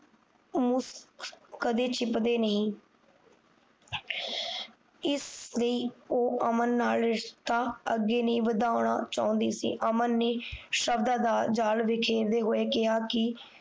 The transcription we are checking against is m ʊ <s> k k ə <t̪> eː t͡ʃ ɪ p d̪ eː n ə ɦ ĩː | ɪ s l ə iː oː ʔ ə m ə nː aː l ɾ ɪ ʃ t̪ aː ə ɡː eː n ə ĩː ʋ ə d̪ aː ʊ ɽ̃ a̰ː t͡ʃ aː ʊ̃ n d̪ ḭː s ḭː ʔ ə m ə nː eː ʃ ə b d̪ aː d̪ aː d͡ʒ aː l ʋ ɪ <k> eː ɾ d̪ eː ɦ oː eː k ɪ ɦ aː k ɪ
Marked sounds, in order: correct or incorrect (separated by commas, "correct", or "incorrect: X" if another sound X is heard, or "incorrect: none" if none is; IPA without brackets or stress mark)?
correct, incorrect: d̪, incorrect: kʰ